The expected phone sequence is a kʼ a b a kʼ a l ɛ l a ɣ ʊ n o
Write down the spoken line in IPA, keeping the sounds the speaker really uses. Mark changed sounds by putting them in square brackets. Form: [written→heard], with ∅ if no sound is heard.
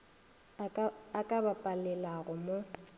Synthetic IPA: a kʼ a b a [kʼ→pʼ] a l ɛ l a ɣ ʊ [n→m] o